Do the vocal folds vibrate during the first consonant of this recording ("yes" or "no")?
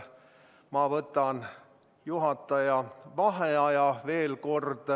yes